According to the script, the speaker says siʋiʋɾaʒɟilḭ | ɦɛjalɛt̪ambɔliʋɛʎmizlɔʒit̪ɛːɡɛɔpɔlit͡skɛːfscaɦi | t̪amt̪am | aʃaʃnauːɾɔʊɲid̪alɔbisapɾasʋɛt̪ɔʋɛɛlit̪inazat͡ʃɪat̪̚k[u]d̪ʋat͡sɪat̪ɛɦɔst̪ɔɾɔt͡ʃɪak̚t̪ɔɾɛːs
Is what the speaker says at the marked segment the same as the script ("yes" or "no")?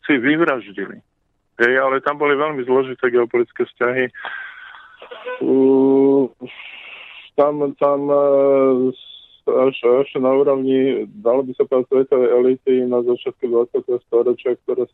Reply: yes